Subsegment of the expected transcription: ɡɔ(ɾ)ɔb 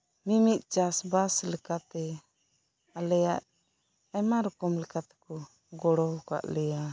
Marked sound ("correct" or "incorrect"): incorrect